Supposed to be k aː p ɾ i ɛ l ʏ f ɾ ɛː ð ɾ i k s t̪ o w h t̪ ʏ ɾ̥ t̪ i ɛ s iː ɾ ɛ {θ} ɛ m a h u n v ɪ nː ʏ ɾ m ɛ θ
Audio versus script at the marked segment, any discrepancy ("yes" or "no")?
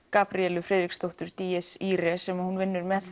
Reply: yes